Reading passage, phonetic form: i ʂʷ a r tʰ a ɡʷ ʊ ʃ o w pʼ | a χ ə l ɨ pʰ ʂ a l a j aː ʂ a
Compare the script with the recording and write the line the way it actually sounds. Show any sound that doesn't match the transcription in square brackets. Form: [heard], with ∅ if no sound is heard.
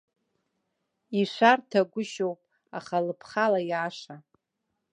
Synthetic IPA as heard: i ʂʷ a r tʰ a ɡʷ ʊ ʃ o w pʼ | a χ [a] l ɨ pʰ [χ] a l a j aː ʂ a